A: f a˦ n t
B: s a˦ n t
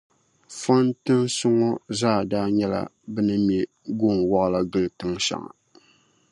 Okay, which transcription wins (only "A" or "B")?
A